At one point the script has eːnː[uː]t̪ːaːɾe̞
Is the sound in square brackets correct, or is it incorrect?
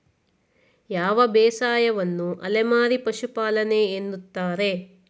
incorrect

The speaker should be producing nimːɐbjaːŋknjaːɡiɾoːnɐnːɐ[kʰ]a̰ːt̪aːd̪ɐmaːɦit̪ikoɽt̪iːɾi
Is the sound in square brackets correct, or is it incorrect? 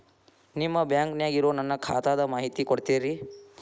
correct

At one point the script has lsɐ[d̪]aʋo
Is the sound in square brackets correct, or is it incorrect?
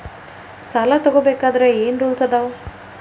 correct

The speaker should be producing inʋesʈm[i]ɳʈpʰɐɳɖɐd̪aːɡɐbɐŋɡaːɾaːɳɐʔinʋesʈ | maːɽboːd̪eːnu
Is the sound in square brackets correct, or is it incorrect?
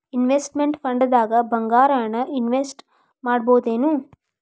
incorrect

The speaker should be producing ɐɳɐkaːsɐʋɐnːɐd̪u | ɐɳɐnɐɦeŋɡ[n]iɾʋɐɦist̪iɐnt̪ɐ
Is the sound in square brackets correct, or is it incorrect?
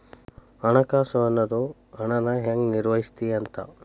correct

